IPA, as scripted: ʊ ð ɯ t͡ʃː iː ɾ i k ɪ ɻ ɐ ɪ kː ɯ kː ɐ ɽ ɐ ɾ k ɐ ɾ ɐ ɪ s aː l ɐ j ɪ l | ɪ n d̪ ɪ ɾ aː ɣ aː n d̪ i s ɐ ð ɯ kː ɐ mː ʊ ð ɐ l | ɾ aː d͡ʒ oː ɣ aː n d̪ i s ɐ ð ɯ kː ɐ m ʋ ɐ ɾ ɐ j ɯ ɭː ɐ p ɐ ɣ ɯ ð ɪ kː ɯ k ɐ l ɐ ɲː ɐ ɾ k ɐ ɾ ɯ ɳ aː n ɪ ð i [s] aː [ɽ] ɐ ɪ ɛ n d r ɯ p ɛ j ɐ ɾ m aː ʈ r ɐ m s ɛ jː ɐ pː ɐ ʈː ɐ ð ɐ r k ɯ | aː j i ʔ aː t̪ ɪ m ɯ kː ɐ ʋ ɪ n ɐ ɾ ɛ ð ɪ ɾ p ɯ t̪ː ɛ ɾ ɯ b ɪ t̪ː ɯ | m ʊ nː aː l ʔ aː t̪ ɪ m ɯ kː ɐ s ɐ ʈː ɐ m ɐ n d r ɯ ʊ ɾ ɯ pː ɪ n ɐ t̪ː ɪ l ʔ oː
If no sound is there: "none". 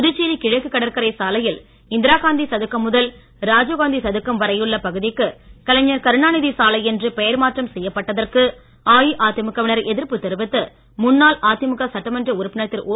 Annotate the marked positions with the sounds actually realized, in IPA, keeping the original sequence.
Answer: s, l

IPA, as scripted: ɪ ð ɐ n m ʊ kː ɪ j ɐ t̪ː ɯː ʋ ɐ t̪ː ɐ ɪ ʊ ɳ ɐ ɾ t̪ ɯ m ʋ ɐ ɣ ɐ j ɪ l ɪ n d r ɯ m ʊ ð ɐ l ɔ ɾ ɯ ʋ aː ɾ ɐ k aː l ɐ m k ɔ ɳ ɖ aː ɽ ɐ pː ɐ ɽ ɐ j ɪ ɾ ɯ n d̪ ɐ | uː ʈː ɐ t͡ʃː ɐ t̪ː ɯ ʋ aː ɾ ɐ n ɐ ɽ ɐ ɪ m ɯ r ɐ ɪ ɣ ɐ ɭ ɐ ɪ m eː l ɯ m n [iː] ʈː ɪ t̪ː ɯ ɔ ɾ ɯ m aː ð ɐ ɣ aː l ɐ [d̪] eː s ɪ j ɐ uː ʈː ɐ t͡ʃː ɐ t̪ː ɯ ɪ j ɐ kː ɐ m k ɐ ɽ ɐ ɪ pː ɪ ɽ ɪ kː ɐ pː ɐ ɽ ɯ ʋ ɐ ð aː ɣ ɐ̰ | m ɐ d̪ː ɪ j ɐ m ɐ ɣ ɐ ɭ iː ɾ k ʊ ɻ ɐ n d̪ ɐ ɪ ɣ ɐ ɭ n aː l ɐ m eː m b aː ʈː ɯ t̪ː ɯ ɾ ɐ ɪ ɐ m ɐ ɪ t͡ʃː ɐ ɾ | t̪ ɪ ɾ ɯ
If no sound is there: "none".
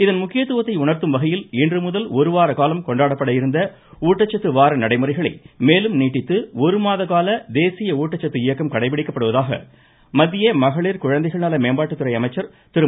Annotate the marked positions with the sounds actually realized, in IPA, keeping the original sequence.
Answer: iː, d̪

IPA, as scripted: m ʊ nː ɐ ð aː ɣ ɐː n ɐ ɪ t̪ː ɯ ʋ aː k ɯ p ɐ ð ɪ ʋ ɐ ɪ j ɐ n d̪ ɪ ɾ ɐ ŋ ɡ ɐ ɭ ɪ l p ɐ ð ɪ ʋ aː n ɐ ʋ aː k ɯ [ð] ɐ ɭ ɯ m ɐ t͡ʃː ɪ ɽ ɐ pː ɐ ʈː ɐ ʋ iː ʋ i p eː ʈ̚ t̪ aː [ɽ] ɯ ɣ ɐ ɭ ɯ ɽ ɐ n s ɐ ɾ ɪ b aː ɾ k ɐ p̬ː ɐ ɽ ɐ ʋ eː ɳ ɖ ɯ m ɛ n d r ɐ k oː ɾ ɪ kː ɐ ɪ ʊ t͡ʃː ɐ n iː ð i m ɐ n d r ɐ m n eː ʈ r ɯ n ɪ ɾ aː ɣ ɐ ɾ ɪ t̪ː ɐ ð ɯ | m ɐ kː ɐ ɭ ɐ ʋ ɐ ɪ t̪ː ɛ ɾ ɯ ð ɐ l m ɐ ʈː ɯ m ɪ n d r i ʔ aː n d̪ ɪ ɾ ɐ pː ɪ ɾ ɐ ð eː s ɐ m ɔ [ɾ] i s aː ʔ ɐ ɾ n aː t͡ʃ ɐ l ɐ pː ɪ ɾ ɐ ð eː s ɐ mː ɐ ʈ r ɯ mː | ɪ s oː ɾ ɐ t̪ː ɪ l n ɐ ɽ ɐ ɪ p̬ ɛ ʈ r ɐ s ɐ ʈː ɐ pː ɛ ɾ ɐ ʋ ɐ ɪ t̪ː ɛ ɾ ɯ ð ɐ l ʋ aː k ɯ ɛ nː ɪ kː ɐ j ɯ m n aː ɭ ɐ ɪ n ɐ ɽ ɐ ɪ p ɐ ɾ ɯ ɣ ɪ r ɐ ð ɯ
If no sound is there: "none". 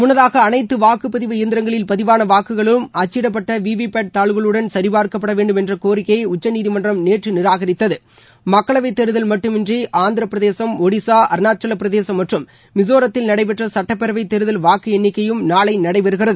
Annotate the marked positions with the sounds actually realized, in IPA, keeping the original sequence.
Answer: ɣ, ɭ, ɽ

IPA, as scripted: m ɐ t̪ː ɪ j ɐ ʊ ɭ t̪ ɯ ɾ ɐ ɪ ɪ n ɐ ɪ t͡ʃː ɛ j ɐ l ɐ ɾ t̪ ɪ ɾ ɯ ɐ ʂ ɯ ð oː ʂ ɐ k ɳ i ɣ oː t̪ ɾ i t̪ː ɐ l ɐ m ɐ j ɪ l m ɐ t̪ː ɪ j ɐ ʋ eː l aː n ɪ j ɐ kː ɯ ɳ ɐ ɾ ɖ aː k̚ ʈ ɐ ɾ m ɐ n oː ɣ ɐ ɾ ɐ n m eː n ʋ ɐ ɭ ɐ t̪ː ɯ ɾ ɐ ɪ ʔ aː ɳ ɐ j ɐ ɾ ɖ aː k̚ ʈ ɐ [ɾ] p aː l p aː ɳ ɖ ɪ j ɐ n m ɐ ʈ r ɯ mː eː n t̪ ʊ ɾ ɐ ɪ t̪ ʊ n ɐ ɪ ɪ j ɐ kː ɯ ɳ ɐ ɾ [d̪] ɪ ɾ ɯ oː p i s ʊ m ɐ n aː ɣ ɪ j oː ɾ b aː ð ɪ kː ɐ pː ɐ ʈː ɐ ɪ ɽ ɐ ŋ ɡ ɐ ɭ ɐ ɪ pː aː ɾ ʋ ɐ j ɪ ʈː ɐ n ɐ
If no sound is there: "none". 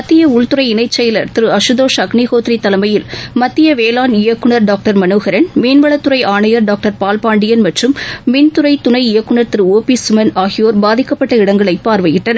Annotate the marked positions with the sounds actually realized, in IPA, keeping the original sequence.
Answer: ɾ, t̪

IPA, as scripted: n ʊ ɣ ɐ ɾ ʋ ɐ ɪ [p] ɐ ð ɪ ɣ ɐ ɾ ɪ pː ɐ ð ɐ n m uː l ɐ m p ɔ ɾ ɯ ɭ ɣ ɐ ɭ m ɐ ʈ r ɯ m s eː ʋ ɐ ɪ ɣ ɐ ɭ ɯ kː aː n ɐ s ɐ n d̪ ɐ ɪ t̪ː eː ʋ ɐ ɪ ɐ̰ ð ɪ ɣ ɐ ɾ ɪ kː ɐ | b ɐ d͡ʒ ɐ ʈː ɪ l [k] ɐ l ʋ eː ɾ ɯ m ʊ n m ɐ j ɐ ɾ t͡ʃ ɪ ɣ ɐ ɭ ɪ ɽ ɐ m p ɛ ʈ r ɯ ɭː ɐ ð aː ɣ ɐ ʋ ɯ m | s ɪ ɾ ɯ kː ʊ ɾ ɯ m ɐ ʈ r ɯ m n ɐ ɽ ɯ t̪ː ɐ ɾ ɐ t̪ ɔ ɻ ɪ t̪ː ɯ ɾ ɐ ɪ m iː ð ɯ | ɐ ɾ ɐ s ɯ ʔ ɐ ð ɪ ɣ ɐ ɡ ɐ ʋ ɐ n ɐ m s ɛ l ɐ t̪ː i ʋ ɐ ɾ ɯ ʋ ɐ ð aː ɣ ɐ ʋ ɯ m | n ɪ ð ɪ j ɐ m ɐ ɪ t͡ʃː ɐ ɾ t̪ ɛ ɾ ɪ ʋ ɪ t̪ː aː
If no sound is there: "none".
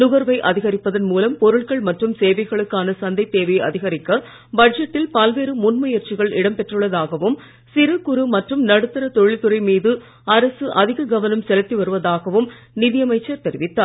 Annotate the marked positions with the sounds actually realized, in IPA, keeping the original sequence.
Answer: ʔ, p

